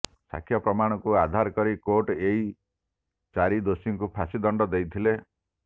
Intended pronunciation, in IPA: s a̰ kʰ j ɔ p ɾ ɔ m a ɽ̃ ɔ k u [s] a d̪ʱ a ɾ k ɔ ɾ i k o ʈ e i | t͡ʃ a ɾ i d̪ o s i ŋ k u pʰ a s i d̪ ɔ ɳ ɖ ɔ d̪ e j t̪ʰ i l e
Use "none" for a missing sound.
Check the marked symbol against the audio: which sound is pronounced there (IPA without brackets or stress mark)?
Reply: none